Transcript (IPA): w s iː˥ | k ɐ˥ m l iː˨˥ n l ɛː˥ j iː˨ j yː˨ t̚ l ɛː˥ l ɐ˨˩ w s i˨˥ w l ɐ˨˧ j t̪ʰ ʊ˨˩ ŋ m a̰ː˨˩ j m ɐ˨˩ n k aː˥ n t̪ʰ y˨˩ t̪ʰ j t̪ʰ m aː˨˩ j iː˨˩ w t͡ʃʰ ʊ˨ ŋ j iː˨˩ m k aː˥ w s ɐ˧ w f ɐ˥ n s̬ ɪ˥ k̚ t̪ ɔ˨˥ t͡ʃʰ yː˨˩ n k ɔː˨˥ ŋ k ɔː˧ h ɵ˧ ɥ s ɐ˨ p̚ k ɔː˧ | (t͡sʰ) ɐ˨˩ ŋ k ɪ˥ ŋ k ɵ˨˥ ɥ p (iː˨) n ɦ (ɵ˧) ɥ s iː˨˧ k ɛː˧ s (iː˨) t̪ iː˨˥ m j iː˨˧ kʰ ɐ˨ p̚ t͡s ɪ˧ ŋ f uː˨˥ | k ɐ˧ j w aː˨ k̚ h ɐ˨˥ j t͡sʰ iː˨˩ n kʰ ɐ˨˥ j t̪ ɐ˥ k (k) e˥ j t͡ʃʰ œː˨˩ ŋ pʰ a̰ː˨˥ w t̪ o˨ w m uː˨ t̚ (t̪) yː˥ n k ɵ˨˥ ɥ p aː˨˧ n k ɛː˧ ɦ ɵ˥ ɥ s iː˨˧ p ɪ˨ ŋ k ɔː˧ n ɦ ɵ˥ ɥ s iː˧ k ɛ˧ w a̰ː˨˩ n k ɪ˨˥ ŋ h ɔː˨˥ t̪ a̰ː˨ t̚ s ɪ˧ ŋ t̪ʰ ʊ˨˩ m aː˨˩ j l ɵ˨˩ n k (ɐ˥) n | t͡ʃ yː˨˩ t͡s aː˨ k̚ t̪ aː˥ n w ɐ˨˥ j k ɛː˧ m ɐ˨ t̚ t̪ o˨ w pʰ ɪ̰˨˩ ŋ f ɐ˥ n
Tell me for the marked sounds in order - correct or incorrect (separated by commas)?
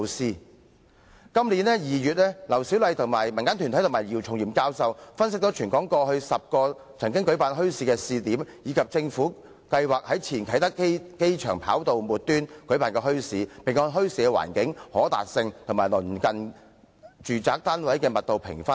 correct, incorrect, incorrect, correct, correct, correct, incorrect